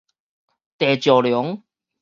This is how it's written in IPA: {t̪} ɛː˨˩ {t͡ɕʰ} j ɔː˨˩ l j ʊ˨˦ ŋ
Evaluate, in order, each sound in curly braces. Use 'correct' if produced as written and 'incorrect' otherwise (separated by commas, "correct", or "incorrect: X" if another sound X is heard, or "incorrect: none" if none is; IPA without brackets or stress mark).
correct, incorrect: t͡ɕ